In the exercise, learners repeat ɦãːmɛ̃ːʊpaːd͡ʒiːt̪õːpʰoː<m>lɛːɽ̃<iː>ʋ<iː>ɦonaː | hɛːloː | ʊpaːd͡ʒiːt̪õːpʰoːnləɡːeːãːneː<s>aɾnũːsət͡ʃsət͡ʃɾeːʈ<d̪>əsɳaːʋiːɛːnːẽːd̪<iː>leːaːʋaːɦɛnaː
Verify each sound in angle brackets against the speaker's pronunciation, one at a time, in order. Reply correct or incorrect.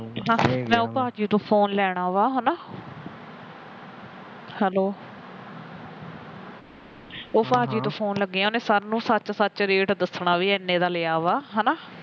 incorrect, incorrect, incorrect, correct, correct, incorrect

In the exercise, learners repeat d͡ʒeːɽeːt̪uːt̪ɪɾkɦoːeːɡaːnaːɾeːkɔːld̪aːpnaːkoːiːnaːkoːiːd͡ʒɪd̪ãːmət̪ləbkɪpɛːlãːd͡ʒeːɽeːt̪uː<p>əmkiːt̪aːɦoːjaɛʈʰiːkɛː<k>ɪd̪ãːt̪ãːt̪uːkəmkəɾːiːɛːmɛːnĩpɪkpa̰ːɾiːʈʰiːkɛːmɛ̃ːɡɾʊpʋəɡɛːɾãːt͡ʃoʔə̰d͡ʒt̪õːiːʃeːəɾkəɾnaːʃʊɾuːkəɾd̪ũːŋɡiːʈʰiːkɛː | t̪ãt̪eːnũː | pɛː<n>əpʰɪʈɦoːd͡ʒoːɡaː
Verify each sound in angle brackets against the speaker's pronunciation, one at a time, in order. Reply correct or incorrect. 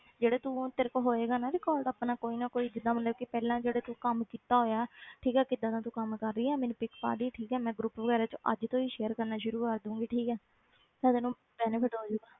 incorrect, correct, correct

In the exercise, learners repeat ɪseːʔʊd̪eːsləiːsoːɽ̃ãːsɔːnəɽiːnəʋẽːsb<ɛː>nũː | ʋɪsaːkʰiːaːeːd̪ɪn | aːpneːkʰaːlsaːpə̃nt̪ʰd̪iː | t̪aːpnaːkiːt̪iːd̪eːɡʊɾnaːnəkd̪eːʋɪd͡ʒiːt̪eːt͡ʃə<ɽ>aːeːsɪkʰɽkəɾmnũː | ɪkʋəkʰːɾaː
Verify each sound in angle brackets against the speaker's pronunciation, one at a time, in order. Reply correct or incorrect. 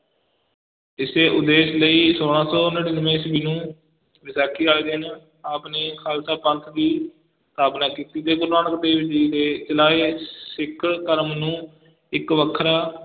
incorrect, incorrect

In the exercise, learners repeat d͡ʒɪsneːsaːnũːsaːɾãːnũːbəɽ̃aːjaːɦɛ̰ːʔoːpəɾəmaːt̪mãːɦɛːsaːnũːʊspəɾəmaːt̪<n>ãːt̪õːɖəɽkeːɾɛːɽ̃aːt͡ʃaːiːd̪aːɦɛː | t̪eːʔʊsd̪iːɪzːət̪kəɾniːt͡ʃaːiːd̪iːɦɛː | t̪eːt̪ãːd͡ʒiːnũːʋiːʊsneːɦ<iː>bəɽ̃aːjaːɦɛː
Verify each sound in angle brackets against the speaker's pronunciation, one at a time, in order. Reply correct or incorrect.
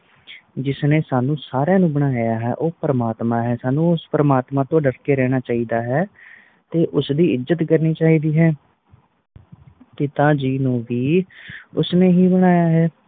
incorrect, correct

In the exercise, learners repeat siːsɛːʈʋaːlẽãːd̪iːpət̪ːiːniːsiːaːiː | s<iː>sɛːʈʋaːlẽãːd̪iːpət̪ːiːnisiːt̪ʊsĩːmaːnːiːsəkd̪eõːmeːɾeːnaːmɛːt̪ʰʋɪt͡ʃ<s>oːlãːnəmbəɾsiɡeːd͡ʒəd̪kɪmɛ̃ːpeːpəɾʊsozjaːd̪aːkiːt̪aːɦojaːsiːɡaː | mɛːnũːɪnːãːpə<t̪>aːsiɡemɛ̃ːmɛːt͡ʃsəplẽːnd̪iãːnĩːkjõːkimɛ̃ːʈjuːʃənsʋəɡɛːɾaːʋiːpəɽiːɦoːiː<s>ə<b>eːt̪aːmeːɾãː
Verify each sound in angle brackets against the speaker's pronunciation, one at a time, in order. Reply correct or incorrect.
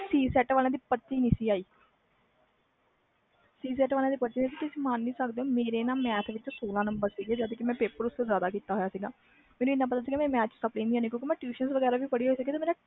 correct, correct, correct, correct, incorrect

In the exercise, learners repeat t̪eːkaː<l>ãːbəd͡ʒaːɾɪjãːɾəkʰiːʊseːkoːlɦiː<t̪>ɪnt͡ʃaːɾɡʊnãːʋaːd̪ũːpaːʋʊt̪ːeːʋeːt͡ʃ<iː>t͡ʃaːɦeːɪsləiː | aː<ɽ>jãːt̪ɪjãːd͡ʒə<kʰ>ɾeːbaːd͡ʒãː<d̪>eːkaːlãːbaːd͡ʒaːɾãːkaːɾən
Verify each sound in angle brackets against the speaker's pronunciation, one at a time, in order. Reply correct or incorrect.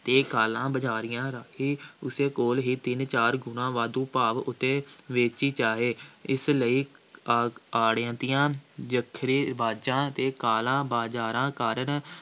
correct, correct, correct, correct, correct, incorrect

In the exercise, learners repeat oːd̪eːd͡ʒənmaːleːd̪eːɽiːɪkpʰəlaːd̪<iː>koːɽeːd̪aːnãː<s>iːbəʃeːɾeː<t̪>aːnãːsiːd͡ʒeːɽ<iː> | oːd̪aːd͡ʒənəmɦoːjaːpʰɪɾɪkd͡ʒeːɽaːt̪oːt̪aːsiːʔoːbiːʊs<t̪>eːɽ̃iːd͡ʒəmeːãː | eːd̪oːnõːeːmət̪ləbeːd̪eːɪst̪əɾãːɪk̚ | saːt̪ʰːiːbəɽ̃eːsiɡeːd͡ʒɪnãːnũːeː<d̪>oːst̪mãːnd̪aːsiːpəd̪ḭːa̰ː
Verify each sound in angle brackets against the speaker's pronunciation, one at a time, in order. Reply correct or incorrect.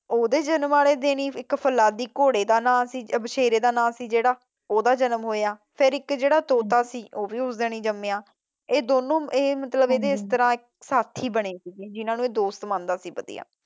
correct, correct, incorrect, incorrect, incorrect, correct

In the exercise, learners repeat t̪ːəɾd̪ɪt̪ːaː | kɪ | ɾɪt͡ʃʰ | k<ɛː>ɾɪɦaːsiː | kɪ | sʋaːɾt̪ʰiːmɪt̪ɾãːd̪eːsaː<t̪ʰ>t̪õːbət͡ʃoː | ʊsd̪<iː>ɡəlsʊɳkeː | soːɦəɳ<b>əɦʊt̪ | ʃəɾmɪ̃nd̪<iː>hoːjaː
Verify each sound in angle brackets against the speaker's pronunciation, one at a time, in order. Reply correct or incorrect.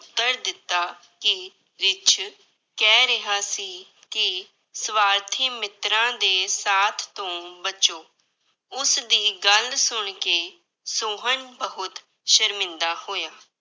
correct, correct, correct, correct, incorrect

